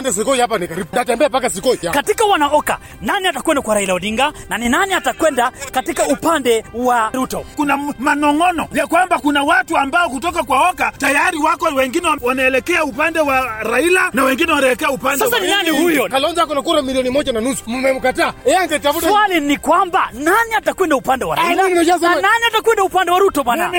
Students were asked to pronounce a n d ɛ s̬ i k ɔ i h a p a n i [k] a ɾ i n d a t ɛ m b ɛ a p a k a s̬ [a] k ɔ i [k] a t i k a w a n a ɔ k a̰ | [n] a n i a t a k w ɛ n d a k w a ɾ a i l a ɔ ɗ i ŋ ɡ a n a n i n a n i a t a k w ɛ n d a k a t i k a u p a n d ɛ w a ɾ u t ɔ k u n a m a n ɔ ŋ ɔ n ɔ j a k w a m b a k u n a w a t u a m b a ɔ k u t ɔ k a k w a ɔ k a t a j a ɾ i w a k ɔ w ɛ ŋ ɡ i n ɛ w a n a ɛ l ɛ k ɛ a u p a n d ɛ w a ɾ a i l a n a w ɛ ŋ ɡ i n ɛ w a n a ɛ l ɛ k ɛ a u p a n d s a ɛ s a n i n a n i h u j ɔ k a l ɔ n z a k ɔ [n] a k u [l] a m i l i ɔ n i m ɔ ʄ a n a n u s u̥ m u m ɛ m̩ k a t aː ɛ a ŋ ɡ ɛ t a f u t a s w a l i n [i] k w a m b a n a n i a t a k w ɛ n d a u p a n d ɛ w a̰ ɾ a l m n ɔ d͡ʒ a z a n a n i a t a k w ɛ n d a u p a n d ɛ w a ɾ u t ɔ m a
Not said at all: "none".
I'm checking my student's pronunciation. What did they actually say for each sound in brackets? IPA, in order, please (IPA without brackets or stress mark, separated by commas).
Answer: k, i, k, n, n, ɾ, i